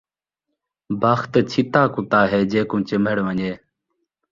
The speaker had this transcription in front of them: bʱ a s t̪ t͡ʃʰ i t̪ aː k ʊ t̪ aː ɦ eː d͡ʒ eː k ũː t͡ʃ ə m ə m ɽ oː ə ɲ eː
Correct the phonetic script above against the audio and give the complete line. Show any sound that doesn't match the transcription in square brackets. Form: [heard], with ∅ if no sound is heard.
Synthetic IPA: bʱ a [x] t̪ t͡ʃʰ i t̪ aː k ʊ t̪ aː ɦ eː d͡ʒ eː k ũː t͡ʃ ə m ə [∅] ɽ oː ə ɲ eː